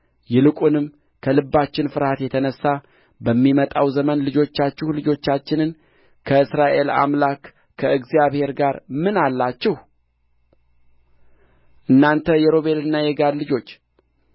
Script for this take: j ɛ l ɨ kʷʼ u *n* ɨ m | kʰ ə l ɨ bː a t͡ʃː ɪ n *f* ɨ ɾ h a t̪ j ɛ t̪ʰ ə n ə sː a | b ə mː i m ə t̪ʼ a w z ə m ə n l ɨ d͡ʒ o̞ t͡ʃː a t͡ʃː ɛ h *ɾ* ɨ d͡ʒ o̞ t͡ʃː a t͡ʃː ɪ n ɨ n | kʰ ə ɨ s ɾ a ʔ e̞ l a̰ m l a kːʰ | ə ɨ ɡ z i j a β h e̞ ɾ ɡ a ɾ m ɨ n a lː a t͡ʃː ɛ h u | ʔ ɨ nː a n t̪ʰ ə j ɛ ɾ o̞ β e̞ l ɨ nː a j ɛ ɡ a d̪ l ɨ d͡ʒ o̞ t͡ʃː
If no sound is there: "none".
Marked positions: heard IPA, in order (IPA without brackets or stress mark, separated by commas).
n, f, l